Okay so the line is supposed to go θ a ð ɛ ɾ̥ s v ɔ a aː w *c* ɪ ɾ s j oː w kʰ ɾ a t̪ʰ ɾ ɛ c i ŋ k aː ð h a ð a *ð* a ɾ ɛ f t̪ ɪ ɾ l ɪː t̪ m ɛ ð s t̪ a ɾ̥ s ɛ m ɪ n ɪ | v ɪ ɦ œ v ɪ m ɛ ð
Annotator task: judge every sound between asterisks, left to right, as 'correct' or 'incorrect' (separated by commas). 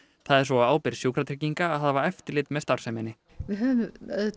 incorrect, incorrect